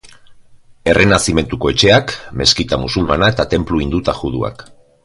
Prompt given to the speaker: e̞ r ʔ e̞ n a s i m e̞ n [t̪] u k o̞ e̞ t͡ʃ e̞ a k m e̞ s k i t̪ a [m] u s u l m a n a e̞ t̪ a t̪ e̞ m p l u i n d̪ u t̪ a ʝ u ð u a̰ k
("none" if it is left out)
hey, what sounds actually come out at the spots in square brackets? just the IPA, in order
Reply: t̪, m

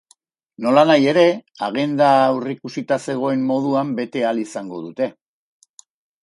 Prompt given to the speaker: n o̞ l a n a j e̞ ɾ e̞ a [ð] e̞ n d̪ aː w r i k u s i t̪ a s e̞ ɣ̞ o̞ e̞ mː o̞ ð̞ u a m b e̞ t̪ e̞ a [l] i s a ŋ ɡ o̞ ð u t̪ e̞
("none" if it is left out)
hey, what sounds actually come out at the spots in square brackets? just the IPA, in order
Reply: ɣ, l

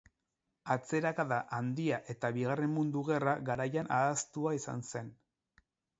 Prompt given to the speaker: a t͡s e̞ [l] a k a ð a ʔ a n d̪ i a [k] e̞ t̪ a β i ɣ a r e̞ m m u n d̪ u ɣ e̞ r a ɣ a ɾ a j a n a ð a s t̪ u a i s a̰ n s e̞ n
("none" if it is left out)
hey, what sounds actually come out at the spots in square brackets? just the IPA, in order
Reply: ɾ, ʔ

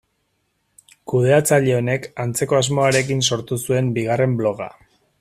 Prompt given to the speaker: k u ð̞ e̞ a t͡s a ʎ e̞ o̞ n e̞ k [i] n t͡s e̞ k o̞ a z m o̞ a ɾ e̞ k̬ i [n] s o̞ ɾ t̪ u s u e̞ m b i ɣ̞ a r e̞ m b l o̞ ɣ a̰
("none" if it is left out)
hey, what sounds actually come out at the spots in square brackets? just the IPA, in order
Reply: a, n

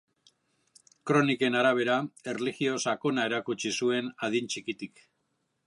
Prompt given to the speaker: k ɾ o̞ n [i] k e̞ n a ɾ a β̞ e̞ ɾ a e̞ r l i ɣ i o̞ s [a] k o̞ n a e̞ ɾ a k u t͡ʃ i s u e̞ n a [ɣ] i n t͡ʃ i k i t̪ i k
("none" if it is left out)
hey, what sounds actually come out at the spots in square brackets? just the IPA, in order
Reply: i, a, ð

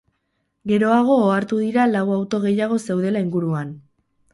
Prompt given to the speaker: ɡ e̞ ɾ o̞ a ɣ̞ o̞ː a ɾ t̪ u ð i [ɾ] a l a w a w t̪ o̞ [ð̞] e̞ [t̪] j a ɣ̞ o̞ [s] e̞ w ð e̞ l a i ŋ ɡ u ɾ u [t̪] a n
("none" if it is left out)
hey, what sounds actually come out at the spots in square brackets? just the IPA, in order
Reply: ɾ, ɣ̞, none, s, none

